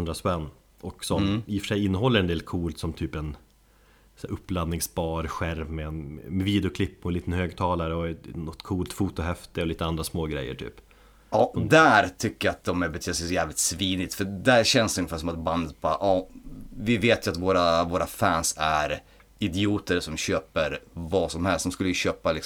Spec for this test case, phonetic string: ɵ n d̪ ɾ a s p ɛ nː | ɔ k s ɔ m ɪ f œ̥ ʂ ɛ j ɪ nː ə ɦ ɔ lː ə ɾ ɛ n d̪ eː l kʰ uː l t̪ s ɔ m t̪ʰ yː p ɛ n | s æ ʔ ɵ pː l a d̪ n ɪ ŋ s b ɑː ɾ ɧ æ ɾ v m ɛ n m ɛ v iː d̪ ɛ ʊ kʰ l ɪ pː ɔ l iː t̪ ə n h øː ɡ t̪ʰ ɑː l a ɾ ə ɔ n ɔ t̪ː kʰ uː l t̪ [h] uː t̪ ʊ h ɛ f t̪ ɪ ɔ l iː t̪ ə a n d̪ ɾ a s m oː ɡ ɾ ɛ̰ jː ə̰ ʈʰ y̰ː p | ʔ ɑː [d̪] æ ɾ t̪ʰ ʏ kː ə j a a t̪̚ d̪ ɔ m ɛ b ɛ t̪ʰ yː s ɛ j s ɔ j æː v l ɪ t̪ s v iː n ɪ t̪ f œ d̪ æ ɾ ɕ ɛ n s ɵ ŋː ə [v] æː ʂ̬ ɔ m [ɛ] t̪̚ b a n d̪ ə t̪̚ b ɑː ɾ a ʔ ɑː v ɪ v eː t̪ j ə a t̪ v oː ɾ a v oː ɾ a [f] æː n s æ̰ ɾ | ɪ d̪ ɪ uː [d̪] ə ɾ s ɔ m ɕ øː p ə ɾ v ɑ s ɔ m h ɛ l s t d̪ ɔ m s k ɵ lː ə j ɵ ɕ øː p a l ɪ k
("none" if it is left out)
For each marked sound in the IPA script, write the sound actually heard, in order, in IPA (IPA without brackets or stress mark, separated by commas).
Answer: f, d̪, f, a, f, t̪